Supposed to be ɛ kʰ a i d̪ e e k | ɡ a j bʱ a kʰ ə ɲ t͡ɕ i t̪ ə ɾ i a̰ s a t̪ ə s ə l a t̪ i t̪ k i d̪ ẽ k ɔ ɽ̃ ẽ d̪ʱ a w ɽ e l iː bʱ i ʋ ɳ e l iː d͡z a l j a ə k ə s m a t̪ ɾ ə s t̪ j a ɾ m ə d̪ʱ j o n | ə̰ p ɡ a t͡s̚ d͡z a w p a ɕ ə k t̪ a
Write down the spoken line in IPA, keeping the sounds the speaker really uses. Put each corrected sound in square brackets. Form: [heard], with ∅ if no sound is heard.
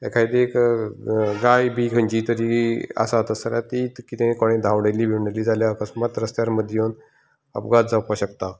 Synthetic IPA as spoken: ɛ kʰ a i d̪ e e k | ɡ a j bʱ [i] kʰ ə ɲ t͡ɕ i t̪ ə ɾ i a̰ s a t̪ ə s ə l a t̪ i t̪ k i [t̪] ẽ k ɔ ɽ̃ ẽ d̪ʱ a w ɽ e l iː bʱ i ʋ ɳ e l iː d͡z a l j a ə k ə s m a t̪ ɾ ə s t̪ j a ɾ m ə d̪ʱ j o n | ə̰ p ɡ a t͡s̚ d͡z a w p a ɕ ə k t̪ a

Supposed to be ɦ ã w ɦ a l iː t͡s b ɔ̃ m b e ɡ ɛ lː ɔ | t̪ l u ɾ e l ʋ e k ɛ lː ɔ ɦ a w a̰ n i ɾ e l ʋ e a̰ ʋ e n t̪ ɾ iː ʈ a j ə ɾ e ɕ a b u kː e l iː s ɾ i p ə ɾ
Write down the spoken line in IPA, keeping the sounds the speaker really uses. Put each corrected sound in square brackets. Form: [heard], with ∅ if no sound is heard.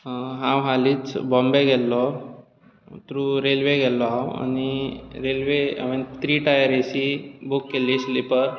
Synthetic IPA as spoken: ɦ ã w ɦ a l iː t͡s b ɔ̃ m b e ɡ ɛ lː ɔ | t̪ [ɾ] u ɾ e l ʋ e [ɡ] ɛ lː ɔ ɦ a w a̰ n i ɾ e l ʋ e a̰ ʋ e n t̪ ɾ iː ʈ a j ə ɾ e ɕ [i] b u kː e l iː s [l] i p ə ɾ

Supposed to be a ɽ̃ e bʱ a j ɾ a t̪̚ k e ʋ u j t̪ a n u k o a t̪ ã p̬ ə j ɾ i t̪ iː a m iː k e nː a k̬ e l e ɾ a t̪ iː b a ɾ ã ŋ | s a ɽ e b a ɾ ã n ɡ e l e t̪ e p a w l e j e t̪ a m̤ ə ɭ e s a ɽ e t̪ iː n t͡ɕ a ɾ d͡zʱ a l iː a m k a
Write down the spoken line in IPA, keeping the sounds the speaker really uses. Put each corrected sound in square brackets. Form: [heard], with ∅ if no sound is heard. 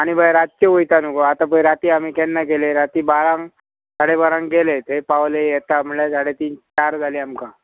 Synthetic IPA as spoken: a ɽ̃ [i] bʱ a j ɾ a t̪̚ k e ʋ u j t̪ a n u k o a t̪ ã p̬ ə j ɾ [a] t̪ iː a m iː k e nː a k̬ e l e ɾ a t̪ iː b a ɾ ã ŋ | s a ɽ e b a ɾ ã [ŋ] ɡ e l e t̪ e p a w l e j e t̪ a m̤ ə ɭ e s a ɽ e t̪ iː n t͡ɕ a ɾ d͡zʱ a l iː a m k a

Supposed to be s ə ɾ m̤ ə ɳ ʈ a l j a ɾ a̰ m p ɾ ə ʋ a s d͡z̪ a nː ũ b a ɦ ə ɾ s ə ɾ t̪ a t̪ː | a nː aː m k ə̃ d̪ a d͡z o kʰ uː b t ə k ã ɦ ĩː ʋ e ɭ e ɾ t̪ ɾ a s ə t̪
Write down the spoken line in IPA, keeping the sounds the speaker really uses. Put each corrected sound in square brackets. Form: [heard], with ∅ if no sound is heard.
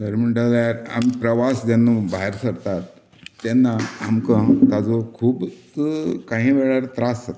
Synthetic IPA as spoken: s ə ɾ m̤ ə ɳ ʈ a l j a ɾ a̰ m p ɾ ə ʋ a s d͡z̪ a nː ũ b a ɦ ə ɾ s ə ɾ t̪ a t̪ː | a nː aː m k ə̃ [t̪] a d͡z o kʰ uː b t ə k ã ɦ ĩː ʋ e ɭ [a] ɾ t̪ ɾ a s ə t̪

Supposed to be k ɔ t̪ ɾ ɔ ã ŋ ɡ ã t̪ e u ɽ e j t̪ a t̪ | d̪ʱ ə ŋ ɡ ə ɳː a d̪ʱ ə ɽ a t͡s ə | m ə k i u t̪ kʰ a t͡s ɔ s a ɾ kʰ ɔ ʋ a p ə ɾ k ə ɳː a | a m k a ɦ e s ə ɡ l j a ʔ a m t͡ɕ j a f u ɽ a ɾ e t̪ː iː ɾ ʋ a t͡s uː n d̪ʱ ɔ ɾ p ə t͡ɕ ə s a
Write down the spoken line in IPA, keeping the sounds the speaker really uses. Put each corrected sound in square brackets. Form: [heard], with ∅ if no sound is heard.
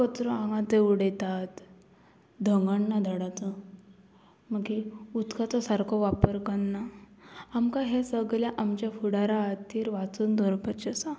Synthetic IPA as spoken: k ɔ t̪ ɾ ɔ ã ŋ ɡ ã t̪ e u ɽ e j t̪ a t̪ | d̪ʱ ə ŋ ɡ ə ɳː a d̪ʱ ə ɽ a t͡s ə | m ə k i u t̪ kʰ a t͡s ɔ s a ɾ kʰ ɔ ʋ a p ə ɾ k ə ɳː a | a m k a ɦ e s ə ɡ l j a ʔ a m t͡ɕ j a f u ɽ a ɾ [a] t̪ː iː ɾ ʋ a t͡s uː n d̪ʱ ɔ ɾ p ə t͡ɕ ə s a

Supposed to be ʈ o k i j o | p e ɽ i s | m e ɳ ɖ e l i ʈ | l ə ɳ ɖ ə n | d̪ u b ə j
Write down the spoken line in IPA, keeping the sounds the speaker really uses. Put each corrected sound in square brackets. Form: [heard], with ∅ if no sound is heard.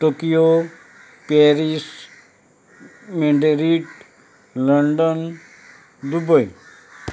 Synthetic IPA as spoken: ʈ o k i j o | p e [ɾ] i s | m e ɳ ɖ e [ɾ] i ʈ | l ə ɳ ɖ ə n | d̪ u b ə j

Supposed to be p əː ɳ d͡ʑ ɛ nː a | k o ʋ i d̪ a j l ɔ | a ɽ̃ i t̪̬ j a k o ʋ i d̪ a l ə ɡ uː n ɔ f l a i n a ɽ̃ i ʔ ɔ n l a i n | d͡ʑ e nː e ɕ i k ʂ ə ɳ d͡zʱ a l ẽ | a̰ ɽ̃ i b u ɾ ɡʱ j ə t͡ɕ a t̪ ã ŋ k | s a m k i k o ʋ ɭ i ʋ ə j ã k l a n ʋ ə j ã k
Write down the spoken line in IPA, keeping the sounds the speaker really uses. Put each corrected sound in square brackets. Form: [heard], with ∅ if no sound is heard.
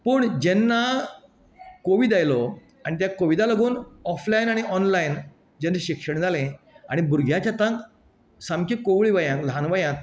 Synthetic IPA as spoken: p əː ɳ d͡ʑ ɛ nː a | k o ʋ i d̪ a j l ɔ | a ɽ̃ i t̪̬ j a k o ʋ i d̪ a l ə ɡ uː n ɔ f l a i n a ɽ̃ i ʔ ɔ n l a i n | d͡ʑ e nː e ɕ i k ʂ ə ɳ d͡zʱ a l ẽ | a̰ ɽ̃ i b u ɾ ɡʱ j [a] t͡ɕ a t̪ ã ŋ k | s a m k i k o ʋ ɭ i ʋ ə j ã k l a n ʋ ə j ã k

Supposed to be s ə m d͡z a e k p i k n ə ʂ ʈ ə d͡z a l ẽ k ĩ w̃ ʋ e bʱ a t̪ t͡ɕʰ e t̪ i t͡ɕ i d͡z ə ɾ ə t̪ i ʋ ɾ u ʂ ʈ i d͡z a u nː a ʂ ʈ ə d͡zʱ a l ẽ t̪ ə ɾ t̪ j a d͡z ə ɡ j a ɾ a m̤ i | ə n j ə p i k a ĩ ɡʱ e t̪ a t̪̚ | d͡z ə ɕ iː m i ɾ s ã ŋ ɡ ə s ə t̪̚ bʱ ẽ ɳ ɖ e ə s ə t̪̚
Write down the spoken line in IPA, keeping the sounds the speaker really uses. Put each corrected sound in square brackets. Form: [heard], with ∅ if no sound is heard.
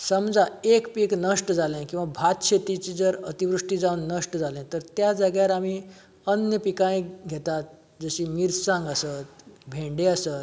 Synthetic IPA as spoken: s ə m d͡z a e k p i k n ə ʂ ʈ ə d͡z a l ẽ k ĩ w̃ ʋ [a] bʱ a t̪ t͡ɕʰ e t̪ i t͡ɕ i d͡z ə ɾ ə t̪ i ʋ ɾ u ʂ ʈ i d͡z a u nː [ə] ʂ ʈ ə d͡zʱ a l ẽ t̪ ə ɾ t̪ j a d͡z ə ɡ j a ɾ a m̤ i | ə n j ə p i k a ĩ ɡʱ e t̪ a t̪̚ | d͡z ə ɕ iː m i ɾ s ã ŋ ɡ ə s ə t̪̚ bʱ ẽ ɳ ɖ e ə s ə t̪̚

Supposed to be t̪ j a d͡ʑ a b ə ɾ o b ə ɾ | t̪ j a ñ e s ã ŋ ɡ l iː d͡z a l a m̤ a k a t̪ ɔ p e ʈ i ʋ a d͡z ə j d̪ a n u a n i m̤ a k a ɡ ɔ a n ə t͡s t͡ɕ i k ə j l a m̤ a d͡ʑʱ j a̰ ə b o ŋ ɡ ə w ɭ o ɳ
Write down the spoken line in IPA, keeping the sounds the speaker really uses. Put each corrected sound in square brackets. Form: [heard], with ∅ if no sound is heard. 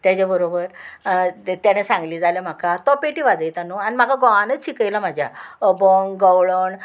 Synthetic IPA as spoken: t̪ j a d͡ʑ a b ə ɾ o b ə ɾ | t̪ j a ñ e s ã ŋ ɡ l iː d͡z a l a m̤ a k a t̪ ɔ p e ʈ i ʋ a d͡z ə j [t̪] a n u a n i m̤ a k a ɡ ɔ a n ə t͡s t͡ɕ i k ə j l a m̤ a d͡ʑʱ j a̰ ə b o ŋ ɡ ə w ɭ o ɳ

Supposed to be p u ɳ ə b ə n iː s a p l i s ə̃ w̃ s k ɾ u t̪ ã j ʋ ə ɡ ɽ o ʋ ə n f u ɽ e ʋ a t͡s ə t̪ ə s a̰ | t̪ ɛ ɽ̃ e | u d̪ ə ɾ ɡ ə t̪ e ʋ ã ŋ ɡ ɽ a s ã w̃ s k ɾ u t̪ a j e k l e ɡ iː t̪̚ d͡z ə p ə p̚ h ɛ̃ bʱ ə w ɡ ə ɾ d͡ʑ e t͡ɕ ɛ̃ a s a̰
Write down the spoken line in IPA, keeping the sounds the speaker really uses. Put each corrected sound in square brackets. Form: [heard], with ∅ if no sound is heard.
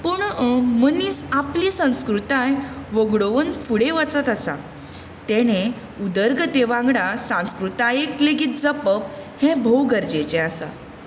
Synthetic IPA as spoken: p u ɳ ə [m] ə n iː s a p l i s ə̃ w̃ s k ɾ u t̪ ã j ʋ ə ɡ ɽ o ʋ ə n f u ɽ e ʋ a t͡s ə t̪ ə s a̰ | t̪ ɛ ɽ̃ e | u d̪ ə ɾ ɡ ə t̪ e ʋ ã ŋ ɡ ɽ a s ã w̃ s k ɾ u t̪ a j e k l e ɡ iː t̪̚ d͡z ə p ə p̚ h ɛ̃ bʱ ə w ɡ ə ɾ d͡ʑ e t͡ɕ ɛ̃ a s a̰

